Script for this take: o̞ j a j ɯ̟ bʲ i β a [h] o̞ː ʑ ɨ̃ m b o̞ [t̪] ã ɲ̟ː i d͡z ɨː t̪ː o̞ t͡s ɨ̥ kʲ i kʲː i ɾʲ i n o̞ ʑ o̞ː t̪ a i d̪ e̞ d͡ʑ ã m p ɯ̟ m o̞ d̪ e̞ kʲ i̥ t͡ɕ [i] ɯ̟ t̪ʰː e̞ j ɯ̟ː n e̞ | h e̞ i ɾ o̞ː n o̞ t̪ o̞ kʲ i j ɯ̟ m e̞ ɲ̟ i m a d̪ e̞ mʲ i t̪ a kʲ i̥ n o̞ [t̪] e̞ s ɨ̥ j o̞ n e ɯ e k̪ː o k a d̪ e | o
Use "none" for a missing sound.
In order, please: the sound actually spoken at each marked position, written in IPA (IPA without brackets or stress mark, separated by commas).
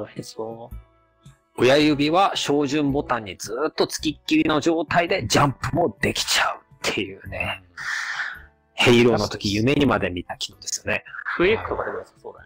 ɕ, t̪, a, d̪